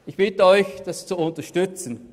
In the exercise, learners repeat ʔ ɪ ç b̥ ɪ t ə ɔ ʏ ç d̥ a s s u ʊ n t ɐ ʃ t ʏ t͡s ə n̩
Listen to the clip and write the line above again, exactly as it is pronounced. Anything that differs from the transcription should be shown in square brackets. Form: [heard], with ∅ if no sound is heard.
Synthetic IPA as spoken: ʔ ɪ ç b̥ ɪ t ə ɔ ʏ ç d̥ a s [t͡s] u ʊ n t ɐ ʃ t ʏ t͡s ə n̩